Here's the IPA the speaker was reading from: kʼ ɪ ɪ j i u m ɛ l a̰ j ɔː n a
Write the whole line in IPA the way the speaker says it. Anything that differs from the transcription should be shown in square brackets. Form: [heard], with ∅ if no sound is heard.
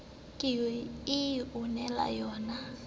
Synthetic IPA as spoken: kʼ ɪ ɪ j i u [n] ɛ l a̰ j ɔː n a